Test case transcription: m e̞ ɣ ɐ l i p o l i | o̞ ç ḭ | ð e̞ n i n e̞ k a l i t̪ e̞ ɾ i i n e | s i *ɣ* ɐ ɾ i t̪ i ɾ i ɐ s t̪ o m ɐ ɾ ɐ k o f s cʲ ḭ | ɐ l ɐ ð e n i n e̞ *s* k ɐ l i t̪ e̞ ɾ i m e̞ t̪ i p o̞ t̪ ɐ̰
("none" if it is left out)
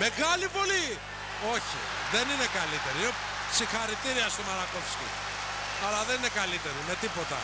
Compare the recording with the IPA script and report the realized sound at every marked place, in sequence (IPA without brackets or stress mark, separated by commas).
x, none